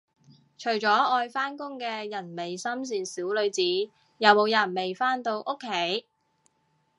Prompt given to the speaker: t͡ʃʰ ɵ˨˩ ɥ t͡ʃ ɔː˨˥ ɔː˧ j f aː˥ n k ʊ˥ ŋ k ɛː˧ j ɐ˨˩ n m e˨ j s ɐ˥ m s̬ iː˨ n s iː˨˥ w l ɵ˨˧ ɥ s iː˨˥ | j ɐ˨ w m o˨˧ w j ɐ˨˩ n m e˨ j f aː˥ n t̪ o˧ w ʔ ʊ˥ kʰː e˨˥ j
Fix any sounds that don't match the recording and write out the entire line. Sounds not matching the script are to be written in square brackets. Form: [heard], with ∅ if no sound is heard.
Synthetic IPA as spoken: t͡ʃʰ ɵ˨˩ ɥ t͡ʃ ɔː˨˥ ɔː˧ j f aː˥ n k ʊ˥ ŋ k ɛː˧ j ɐ˨˩ n m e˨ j s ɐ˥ m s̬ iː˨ n s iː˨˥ w l ɵ˨˧ ɥ [t͡s] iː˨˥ | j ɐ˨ w m o˨˧ w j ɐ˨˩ n m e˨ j f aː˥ n t̪ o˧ w ʔ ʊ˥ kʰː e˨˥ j